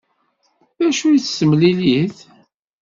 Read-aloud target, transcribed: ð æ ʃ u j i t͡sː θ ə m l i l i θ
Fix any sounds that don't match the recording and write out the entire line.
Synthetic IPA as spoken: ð æ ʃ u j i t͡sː s ə m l i l i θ